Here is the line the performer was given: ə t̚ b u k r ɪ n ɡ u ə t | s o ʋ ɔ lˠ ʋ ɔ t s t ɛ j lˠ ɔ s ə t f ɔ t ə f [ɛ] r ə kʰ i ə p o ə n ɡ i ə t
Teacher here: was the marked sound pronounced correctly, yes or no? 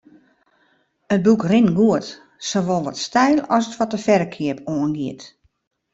yes